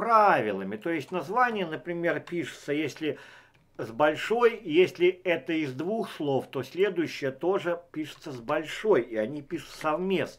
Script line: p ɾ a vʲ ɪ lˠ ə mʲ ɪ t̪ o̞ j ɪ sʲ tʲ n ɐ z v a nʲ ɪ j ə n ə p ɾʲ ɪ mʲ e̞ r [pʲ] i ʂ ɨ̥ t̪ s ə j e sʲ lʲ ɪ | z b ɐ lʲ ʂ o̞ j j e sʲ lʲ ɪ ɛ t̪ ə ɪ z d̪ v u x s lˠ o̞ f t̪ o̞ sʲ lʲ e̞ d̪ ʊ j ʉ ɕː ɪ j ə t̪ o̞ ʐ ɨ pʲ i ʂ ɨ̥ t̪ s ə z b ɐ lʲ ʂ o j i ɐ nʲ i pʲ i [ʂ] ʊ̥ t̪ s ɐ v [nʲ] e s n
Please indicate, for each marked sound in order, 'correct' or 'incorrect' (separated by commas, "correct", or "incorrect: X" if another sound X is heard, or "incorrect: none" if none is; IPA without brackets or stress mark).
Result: correct, correct, incorrect: mʲ